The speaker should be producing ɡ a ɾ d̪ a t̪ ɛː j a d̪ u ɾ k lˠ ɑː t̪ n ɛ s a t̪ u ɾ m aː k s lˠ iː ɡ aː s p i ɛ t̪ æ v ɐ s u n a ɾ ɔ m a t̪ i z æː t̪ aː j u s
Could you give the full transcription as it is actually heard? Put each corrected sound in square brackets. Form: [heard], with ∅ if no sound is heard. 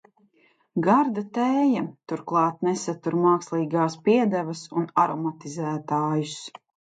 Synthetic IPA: ɡ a ɾ d̪ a t̪ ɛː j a [t̪] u ɾ k lˠ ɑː t̪ n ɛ s a t̪ u ɾ m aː k s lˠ iː ɡ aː s p i ɛ [d̪] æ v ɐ s u n a ɾ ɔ m a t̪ i z æː t̪ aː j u s